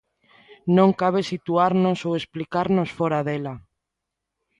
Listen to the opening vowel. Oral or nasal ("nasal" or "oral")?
nasal